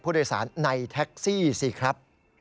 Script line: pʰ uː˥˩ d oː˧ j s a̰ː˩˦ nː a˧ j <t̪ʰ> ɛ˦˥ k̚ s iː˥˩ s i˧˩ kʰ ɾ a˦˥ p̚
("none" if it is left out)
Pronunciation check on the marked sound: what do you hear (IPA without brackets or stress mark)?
t̪ʰ